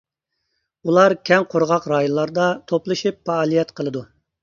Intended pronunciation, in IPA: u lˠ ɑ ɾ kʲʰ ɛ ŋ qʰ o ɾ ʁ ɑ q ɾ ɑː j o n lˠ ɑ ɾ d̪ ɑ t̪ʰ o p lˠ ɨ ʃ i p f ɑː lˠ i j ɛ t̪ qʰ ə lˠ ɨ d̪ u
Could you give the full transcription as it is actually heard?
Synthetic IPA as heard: u lˠ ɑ ɾ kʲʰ ɛ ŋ qʰ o ɾ ʁ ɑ q ɾ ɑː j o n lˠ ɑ ɾ d̪ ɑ t̪ʰ o p lˠ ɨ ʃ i p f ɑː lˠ i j ɛ t̪ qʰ ə lˠ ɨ d̪ u